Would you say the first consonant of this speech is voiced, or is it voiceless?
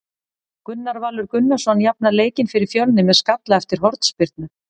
voiceless